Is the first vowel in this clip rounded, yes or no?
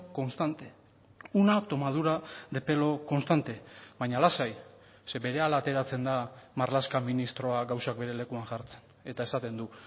yes